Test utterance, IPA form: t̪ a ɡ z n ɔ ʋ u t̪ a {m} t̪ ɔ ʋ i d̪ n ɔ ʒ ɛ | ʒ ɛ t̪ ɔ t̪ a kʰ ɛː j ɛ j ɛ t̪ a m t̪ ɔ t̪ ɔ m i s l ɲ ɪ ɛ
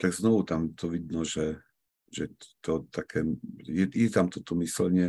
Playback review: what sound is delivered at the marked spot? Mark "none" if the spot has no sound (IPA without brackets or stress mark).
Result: m